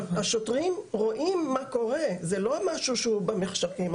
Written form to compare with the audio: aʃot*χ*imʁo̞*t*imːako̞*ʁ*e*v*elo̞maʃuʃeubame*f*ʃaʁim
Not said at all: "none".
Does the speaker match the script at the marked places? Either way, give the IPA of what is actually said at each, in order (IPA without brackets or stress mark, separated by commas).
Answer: ʁ, ʔ, ʁ, z, χ